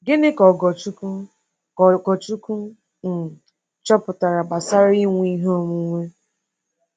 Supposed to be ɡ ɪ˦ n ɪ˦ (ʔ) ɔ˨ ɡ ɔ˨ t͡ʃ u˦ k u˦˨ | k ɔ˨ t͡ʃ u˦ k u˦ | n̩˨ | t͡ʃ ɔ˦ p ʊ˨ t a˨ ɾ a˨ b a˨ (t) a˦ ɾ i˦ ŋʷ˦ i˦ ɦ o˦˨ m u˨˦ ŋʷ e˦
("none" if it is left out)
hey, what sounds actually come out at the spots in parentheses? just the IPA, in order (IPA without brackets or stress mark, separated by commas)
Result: k, s